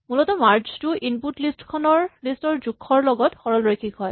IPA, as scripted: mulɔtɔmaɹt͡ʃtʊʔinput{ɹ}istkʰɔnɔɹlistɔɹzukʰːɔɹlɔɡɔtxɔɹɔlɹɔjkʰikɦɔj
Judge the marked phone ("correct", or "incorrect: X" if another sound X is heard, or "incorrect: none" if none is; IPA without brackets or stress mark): incorrect: l